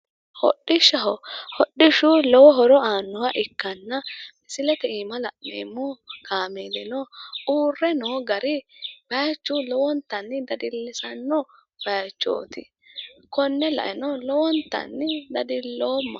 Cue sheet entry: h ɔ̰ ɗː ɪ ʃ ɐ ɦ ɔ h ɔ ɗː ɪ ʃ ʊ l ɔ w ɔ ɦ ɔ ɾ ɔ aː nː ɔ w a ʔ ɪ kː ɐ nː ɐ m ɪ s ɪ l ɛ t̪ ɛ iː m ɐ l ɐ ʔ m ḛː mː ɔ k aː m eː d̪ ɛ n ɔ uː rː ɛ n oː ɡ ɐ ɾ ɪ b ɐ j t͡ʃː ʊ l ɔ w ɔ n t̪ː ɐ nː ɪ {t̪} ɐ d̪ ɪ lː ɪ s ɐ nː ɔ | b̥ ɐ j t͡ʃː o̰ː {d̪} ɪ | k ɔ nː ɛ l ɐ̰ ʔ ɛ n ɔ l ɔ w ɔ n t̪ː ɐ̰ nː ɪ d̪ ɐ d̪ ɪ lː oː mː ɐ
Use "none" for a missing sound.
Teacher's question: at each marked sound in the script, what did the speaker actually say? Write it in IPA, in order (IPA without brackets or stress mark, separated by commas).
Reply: d̪, t̪